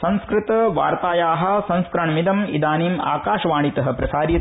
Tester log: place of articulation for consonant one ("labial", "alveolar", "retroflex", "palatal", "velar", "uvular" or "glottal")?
alveolar